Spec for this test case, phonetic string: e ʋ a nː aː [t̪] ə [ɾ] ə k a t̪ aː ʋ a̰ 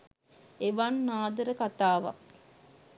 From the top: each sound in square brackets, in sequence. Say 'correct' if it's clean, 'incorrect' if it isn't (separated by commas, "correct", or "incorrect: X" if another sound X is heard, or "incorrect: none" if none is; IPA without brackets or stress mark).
incorrect: d̪, correct